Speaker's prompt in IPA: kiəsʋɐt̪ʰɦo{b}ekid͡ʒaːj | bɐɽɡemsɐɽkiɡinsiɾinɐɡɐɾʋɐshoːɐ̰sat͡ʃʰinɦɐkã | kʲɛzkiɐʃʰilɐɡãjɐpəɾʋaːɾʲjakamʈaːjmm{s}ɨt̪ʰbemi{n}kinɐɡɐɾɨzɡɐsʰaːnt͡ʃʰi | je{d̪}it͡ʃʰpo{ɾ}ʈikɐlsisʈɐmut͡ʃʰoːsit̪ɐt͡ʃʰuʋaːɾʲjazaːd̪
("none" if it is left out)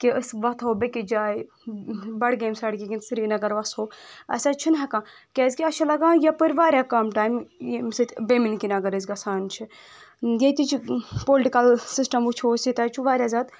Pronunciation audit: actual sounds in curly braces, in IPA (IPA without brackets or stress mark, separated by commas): b, s, n, t̪, l